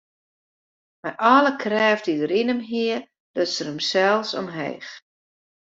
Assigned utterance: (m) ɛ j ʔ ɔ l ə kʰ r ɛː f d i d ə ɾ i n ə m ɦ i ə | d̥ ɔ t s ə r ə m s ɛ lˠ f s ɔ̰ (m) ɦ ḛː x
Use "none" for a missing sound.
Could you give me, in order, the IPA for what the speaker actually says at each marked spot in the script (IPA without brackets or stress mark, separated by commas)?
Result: m, m